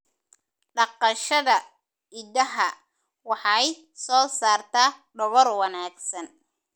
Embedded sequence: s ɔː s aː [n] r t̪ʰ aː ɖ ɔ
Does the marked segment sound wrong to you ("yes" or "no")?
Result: yes